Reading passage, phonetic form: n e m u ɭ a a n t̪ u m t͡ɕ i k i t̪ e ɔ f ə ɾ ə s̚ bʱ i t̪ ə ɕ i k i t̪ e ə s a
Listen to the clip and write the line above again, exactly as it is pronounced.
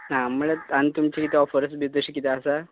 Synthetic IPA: n a m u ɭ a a n t̪ u m t͡ɕ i k i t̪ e ɔ f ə ɾ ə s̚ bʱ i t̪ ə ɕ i k i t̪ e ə s a